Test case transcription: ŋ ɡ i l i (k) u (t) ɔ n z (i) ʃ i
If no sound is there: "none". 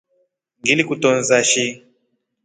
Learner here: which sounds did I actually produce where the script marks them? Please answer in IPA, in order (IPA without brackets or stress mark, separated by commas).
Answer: k, t, a